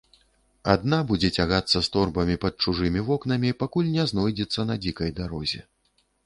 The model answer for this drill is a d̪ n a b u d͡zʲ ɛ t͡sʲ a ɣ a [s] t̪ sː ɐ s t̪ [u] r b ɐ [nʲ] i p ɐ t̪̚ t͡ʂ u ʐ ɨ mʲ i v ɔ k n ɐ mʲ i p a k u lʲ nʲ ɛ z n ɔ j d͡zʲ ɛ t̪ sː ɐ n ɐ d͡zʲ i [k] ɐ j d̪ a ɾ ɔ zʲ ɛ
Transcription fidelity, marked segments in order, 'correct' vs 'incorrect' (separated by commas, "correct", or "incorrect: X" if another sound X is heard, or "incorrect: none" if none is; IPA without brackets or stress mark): incorrect: none, incorrect: ɔ, incorrect: mʲ, correct